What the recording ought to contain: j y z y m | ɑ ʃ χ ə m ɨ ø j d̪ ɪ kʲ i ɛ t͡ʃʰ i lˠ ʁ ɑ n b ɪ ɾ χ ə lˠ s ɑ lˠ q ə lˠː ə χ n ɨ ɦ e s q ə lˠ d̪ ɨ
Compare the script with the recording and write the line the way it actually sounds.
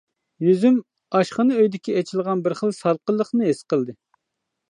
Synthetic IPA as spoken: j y z y m | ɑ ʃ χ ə n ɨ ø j d̪ ɪ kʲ i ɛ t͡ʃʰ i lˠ ʁ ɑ n b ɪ ɾ χ ə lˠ s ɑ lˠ q ə lˠː ə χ n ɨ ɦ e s q ə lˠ d̪ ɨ